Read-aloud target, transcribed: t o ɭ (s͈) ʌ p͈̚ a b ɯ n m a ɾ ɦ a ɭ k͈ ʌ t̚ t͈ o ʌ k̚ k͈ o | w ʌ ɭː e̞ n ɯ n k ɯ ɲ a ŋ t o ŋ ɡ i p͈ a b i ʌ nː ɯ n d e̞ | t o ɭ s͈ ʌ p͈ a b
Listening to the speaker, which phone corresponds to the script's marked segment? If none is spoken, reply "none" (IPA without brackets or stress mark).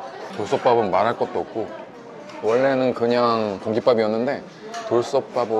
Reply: s͈